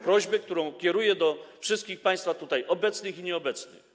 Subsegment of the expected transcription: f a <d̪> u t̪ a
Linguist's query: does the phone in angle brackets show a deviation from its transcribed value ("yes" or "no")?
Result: yes